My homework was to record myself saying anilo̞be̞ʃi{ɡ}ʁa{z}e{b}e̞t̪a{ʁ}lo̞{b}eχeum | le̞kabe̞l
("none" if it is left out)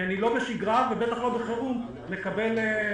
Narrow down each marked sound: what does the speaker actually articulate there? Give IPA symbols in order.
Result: ɡ, v, b, χ, b

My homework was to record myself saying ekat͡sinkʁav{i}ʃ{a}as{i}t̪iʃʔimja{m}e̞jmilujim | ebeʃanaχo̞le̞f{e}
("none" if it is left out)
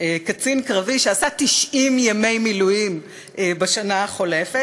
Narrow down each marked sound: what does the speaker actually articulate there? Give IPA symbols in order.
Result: i, e, a, m, e

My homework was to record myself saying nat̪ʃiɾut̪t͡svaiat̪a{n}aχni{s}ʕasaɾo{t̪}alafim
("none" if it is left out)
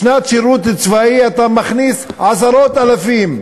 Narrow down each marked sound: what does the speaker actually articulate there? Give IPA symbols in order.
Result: m, s, t̪

